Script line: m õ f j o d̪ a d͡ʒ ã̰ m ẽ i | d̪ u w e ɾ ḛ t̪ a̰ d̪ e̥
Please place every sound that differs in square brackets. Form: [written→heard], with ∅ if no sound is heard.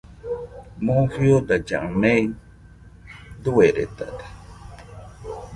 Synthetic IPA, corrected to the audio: m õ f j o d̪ a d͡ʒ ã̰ m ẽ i | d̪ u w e ɾ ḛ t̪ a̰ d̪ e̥